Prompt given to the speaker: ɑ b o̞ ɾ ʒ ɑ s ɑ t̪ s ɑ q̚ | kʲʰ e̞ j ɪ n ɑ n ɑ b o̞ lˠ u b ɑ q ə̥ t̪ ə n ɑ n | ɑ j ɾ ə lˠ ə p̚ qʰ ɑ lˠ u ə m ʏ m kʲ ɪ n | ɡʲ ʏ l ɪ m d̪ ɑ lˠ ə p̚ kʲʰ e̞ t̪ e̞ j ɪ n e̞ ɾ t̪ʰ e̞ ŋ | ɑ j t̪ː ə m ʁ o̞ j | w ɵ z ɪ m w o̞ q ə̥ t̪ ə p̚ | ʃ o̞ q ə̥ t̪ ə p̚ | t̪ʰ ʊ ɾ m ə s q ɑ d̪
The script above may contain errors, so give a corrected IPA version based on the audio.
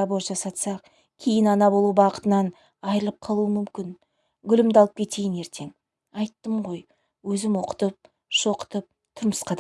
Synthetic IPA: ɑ b o̞ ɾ ʒ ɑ s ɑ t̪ s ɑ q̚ | kʲʰ e̞ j ɪ n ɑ n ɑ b o̞ lˠ u b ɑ q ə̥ t̪ ə n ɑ n | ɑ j ɾ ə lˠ ə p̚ qʰ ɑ lˠ u ə m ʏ m kʲ ɪ n | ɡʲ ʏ l ɪ m d̪ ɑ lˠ ə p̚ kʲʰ e̞ t̪ e̞ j ɪ n e̞ ɾ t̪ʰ e̞ ŋ | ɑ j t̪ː ə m ʁ o̞ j | w ɵ z ɪ m w o̞ q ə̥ t̪ ə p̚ | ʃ o̞ q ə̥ t̪ ə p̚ | t̪ʰ ʊ ɾ m ə s q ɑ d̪